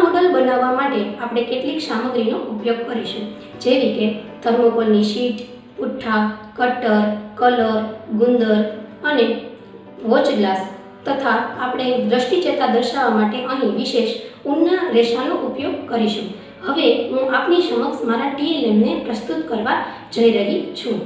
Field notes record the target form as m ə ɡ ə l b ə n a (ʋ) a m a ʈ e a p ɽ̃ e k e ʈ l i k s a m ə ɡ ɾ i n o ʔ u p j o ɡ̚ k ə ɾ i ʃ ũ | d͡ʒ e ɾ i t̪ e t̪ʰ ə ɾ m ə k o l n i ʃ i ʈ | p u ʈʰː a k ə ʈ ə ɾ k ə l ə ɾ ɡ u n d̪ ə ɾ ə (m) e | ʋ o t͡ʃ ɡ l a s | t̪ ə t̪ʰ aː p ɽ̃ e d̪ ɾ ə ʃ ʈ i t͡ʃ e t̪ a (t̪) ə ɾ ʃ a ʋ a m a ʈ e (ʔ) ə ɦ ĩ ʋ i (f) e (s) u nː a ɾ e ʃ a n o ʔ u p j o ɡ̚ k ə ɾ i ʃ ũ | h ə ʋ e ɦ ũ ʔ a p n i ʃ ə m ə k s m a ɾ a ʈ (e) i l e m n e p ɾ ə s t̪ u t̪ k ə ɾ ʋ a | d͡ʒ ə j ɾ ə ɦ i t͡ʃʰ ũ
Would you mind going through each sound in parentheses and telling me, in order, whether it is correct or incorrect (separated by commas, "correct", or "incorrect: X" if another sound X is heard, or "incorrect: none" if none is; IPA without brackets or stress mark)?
incorrect: ʋː, incorrect: n, incorrect: d̪, correct, incorrect: ʃ, incorrect: ʃ, incorrect: i